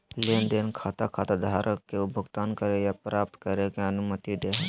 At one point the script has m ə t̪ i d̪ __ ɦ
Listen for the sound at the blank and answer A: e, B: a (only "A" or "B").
A